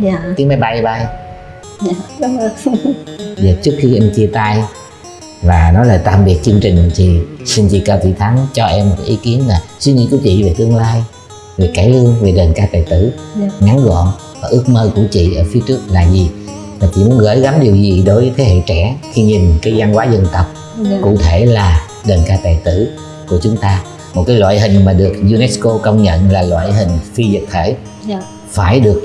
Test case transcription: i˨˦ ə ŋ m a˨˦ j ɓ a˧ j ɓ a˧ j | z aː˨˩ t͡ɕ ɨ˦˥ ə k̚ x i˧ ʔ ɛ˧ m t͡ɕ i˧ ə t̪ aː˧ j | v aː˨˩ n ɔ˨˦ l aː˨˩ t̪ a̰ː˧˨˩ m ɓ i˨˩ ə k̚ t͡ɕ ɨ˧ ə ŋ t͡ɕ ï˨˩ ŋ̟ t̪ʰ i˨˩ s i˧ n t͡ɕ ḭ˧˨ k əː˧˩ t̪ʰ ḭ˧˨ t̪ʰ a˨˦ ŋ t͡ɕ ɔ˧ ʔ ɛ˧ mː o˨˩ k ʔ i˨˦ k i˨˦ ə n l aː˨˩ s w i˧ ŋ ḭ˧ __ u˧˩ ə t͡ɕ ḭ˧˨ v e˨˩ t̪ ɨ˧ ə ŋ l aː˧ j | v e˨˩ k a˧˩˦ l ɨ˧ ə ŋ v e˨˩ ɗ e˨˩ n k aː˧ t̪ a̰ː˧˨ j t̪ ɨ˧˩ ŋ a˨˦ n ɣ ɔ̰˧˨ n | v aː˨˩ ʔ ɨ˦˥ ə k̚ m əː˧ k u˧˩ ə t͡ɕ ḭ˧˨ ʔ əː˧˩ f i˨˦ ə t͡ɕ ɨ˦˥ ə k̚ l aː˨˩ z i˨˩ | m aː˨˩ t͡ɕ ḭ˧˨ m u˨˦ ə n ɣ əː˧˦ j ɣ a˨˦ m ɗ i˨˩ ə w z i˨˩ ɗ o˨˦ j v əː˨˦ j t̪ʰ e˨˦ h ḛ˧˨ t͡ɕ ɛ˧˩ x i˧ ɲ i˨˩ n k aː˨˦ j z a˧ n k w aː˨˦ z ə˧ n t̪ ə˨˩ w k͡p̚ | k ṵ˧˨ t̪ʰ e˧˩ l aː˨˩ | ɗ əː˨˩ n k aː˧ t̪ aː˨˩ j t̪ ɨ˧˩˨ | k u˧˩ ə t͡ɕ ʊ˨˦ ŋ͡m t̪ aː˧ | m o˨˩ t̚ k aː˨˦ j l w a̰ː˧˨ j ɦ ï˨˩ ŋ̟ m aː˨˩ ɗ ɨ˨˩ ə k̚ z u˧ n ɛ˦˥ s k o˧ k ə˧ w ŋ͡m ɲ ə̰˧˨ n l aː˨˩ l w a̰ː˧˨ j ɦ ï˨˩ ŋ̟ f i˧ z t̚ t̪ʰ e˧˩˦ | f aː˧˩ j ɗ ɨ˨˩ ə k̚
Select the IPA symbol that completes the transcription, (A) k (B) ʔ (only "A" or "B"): A